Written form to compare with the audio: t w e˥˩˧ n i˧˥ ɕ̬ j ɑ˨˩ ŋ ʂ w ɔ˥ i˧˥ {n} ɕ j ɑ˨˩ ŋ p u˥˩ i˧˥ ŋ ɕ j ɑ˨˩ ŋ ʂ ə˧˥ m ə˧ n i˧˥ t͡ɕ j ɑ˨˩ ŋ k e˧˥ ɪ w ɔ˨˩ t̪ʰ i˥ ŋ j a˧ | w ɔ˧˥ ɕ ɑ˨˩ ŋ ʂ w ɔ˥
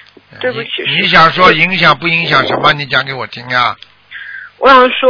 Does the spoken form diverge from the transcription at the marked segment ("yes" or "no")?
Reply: yes